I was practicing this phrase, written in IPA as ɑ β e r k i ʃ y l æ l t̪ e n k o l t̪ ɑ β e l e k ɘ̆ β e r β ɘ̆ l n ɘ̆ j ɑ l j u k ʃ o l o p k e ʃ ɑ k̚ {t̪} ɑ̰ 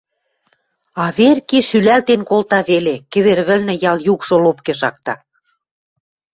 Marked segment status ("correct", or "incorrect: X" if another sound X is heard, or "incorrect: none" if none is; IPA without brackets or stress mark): correct